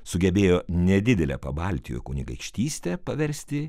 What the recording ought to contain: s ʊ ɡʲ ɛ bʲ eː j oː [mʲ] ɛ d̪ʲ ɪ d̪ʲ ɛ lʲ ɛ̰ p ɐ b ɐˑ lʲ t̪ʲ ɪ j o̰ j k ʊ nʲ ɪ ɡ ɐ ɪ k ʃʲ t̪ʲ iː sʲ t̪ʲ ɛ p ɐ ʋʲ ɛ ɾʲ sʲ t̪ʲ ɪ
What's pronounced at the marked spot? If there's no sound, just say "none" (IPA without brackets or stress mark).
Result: nʲ